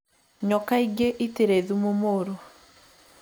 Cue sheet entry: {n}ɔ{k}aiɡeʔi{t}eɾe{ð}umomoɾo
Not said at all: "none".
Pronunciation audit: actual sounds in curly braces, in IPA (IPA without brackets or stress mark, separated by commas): ɲ, k, t, ð